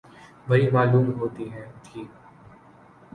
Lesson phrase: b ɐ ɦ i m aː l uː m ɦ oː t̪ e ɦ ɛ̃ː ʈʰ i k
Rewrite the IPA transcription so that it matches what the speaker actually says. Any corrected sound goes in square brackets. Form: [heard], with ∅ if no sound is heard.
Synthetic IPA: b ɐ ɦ i m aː l uː m ɦ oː t̪ [i] ɦ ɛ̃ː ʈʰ [iː] k